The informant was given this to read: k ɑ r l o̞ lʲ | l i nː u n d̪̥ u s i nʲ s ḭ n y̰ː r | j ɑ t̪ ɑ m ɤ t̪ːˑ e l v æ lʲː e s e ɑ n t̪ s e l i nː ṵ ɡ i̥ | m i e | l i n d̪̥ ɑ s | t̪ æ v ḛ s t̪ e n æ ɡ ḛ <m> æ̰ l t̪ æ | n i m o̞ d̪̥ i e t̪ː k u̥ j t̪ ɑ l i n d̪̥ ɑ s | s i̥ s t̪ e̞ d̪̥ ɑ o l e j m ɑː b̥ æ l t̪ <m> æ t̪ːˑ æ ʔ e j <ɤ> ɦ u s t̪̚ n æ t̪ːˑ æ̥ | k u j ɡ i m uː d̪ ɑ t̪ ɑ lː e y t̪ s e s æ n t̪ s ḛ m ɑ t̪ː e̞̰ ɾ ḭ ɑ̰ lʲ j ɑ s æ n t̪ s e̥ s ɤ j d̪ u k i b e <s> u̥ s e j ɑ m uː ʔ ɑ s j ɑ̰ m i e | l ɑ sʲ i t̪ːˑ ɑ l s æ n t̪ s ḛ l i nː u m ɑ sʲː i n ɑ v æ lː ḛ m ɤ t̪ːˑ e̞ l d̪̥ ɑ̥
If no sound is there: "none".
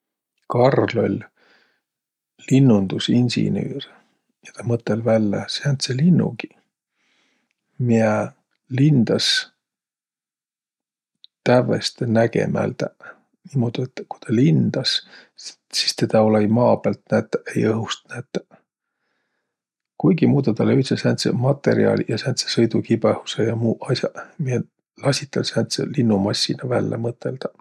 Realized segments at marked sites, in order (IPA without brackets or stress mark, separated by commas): m, n, ɤ, h